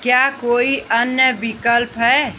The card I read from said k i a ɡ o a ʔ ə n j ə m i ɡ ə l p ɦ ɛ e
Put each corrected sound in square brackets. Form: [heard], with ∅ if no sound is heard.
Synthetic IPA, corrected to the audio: k [j] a [k] o [i] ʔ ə n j ə [b] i [k] ə l p ɦ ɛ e

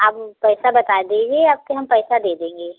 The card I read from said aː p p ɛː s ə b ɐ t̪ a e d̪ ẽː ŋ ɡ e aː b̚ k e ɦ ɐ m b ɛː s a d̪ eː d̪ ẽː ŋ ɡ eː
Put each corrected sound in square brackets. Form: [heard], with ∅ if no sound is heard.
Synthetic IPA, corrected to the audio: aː p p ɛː s [a] b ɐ t̪ a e d̪ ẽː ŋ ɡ e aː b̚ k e ɦ ɐ m [p] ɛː s a d̪ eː d̪ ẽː ŋ ɡ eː

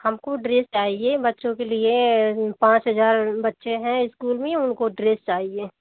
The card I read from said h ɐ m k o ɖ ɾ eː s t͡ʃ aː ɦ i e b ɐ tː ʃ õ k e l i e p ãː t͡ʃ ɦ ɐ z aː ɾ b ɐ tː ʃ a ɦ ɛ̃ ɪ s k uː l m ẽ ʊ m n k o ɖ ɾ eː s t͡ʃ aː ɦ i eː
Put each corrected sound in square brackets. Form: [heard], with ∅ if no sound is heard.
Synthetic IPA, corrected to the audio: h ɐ m k o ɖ ɾ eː s t͡ʃ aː ɦ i e b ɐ tː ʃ õ k e l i e p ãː t͡ʃ ɦ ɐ z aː ɾ b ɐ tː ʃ [e] ɦ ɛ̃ ɪ s k uː l m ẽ ʊ [∅] n k o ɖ ɾ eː s t͡ʃ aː ɦ i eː

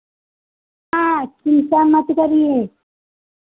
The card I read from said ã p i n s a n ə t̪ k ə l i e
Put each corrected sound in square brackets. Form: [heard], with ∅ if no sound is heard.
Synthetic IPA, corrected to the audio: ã [k] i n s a [m] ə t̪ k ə [ɾ] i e

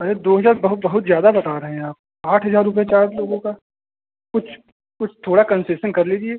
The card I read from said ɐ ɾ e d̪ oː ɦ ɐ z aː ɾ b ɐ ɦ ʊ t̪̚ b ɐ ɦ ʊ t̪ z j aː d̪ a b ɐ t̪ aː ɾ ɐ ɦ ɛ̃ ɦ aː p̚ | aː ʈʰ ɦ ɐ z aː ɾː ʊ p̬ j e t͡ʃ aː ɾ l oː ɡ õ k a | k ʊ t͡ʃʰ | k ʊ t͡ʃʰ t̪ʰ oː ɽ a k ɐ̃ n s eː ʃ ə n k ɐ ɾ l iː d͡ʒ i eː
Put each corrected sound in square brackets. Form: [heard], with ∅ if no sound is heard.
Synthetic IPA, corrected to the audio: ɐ ɾ e d̪ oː ɦ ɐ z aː ɾ b ɐ ɦ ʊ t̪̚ b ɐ ɦ ʊ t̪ z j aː d̪ a b ɐ t̪ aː ɾ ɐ ɦ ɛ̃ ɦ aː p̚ | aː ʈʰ ɦ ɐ z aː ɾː ʊ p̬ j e t͡ʃ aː ɾ l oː ɡ õ k a | k ʊ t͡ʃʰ | k ʊ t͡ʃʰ t̪ʰ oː ɽ a k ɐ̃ n s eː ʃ ə n k ɐ ɾ l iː d͡ʒ i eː

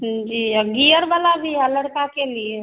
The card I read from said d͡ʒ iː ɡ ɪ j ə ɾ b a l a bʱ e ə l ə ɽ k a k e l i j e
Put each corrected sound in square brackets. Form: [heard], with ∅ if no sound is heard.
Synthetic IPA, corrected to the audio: d͡ʒ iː ɡ [i] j ə ɾ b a l a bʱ [i] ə l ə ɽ k a k e l i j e

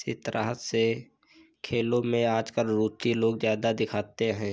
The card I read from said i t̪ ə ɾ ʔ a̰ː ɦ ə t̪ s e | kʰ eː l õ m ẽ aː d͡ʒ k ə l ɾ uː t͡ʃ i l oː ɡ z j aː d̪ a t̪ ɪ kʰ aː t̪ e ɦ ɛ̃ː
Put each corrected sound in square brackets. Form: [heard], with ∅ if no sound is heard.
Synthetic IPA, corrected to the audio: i t̪ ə ɾ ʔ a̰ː ɦ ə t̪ s e | kʰ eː l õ m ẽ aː d͡ʒ k ə l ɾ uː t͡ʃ i l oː ɡ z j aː d̪ a [d̪] ɪ kʰ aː t̪ e ɦ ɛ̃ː

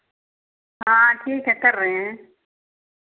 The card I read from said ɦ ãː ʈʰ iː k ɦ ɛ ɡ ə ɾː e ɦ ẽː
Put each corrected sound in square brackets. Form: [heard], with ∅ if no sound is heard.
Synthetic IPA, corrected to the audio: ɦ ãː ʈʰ iː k ɦ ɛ [k] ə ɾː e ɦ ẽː

